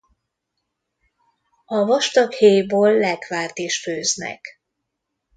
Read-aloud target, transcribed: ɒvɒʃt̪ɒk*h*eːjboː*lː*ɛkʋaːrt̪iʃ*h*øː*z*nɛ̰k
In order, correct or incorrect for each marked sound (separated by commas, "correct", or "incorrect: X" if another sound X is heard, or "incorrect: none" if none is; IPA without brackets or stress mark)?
correct, correct, incorrect: f, correct